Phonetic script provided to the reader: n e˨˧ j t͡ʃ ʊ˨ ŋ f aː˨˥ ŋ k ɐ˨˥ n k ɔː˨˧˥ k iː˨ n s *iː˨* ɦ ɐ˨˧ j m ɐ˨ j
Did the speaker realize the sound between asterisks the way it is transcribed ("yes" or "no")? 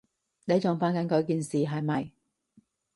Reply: yes